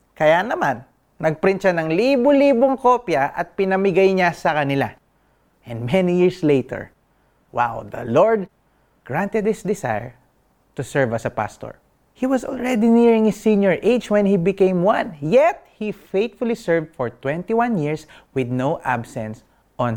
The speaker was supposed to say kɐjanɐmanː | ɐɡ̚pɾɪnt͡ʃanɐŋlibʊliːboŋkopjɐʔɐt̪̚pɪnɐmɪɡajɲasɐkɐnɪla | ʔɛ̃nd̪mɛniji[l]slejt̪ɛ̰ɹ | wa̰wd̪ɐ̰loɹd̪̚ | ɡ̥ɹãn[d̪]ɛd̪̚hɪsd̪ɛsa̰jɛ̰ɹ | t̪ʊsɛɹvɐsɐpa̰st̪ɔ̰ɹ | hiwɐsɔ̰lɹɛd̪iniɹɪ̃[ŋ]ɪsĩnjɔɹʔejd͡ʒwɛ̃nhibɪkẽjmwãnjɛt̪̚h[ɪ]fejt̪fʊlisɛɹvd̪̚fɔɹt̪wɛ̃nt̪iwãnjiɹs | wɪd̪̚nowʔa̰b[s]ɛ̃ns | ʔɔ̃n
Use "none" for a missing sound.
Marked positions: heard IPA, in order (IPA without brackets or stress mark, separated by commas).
ɹ, t̪, ŋ, i, s